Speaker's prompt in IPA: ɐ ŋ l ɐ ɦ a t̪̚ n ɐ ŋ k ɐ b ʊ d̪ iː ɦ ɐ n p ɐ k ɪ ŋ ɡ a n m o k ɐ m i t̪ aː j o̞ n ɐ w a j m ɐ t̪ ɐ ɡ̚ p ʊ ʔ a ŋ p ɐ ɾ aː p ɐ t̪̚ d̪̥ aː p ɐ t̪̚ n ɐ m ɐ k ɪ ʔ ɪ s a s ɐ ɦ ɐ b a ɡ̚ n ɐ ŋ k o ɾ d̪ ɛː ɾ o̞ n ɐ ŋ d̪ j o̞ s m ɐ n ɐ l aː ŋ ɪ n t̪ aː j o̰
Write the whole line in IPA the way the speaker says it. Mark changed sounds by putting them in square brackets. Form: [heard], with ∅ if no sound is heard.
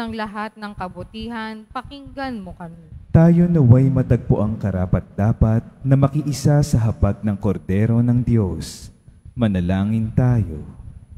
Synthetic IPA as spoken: ɐ ŋ l ɐ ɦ a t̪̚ n ɐ ŋ k ɐ b ʊ [t̪] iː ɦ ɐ n p ɐ k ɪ ŋ ɡ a n m o k ɐ m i t̪ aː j o̞ n ɐ w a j m ɐ t̪ ɐ ɡ̚ p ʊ ʔ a ŋ [k] ɐ ɾ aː p ɐ t̪̚ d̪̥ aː p ɐ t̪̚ n ɐ m ɐ k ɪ ʔ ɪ s a s ɐ ɦ ɐ b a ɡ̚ n ɐ ŋ k o ɾ d̪ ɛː ɾ o̞ n ɐ ŋ d̪ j o̞ s m ɐ n ɐ l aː ŋ ɪ n t̪ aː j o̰